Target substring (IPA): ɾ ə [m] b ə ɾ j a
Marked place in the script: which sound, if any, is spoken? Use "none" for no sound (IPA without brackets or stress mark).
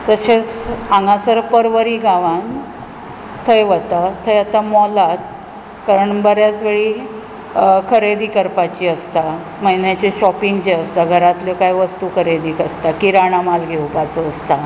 ɳ